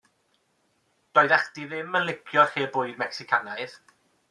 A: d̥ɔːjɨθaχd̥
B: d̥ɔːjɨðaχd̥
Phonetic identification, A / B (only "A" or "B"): B